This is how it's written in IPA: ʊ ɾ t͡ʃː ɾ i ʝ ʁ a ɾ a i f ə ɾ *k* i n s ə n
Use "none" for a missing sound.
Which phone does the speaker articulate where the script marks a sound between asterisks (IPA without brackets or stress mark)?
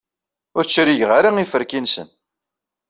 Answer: k